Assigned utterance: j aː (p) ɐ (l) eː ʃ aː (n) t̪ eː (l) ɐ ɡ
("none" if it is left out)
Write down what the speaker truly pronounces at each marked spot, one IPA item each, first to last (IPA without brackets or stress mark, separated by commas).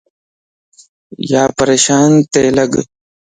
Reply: p, ɾ, n, l